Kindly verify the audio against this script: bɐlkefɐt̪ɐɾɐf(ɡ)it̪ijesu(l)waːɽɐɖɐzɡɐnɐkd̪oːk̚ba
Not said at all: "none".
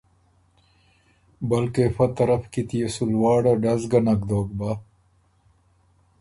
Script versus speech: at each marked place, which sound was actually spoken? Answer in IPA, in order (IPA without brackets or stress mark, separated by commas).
k, l